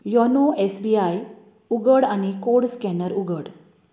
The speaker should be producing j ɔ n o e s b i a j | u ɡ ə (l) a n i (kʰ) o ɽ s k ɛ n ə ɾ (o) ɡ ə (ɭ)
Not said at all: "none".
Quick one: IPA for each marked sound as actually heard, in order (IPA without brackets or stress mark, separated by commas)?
ɽ, k, u, ɽ